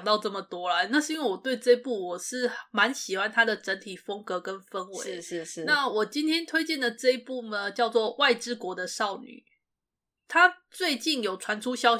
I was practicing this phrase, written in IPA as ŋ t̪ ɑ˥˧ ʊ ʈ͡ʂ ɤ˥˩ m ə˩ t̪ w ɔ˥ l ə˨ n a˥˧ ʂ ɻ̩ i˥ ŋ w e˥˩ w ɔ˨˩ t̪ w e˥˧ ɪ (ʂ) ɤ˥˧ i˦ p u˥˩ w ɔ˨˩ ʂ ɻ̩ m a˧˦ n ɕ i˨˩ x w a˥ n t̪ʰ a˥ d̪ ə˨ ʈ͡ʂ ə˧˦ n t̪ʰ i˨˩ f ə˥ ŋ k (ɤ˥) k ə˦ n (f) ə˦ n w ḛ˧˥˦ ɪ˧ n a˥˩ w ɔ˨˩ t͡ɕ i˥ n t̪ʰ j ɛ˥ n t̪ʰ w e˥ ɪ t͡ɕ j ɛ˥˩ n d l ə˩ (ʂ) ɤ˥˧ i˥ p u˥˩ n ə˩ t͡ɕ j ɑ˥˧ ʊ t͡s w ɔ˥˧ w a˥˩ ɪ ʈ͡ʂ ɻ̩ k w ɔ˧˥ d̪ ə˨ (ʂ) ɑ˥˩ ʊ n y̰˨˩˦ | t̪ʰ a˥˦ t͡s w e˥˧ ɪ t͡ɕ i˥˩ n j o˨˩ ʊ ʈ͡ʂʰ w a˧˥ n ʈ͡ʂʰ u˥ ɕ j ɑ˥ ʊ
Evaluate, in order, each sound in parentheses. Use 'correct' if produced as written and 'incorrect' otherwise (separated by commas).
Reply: incorrect, incorrect, correct, incorrect, correct